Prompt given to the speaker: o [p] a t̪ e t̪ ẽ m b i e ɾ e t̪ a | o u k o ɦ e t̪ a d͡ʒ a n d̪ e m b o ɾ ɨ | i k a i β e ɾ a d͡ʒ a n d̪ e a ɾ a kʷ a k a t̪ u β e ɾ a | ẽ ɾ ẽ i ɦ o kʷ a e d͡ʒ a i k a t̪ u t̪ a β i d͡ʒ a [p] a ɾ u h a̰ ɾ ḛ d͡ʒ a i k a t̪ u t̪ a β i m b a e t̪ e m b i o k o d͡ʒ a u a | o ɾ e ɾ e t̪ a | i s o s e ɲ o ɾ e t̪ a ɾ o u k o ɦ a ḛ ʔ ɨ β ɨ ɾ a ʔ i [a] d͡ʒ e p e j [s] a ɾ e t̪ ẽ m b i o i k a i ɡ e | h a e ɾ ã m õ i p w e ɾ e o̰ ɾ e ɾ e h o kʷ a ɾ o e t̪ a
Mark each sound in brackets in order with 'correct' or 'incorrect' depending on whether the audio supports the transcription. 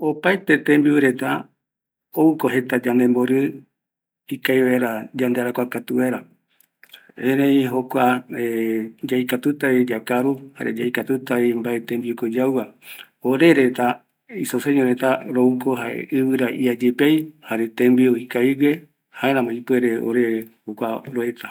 correct, incorrect, correct, incorrect

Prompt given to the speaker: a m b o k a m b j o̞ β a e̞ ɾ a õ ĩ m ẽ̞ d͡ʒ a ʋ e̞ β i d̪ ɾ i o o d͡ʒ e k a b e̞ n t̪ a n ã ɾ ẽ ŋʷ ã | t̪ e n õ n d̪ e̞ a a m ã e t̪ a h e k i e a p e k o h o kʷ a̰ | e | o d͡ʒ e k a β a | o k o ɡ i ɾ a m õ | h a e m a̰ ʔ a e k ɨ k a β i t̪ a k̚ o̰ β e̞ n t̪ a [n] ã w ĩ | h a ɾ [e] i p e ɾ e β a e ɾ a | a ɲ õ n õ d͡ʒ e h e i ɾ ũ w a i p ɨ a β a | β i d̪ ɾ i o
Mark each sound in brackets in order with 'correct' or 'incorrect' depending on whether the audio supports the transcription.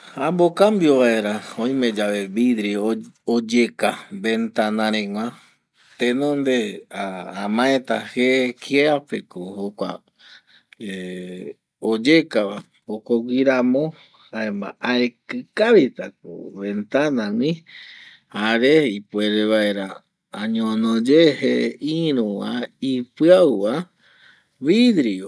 correct, correct

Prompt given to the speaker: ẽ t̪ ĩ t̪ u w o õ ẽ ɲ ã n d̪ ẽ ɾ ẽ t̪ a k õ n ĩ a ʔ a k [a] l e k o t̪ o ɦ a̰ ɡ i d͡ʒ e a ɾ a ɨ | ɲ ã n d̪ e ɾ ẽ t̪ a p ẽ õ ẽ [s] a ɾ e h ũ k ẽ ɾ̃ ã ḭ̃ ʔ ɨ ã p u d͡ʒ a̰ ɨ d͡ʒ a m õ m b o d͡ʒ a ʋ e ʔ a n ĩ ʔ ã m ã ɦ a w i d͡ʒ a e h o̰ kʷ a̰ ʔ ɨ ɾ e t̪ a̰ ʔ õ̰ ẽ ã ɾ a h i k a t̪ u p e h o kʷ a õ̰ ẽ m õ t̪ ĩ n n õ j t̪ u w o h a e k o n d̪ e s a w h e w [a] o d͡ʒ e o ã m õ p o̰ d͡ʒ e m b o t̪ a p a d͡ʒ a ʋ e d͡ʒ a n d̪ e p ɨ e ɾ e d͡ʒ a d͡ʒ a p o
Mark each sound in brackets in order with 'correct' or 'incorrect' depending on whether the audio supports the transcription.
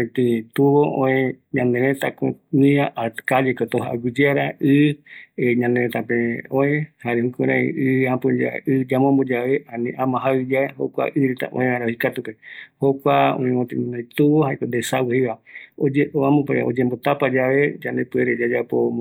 correct, incorrect, correct

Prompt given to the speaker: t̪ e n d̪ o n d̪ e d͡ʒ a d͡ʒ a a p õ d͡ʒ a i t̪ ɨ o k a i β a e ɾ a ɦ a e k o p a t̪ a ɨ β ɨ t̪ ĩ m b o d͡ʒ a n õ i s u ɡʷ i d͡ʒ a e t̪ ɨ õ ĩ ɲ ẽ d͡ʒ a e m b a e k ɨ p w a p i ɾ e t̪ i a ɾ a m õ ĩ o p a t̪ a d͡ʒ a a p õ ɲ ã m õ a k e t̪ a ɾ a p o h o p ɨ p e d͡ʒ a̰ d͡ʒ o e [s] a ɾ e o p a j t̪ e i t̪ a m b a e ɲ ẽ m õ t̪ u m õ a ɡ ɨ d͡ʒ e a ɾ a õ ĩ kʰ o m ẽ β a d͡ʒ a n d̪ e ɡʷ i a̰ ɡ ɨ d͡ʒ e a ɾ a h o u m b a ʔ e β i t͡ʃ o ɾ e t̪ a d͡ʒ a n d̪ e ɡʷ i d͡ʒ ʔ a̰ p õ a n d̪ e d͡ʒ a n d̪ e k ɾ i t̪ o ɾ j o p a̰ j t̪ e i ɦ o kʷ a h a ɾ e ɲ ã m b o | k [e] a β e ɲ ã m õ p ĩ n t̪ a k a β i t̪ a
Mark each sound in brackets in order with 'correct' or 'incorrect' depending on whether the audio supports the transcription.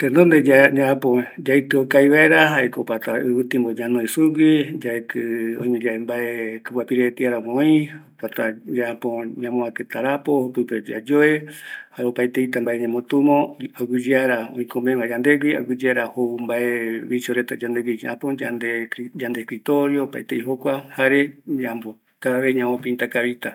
incorrect, incorrect

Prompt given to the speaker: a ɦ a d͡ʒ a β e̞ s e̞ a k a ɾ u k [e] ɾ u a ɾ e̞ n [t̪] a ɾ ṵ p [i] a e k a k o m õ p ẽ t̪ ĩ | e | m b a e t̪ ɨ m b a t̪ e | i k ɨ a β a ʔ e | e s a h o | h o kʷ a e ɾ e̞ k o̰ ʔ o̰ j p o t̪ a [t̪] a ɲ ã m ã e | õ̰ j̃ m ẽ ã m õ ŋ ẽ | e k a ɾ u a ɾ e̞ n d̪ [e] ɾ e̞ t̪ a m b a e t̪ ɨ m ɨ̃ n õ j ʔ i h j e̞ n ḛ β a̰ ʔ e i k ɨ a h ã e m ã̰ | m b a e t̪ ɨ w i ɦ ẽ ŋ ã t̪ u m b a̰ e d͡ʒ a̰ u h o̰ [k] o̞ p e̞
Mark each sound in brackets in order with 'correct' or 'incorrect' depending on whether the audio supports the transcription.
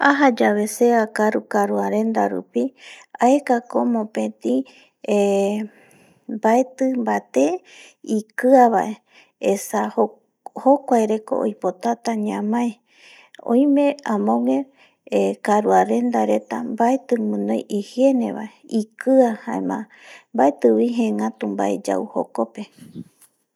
incorrect, incorrect, correct, correct, incorrect, correct

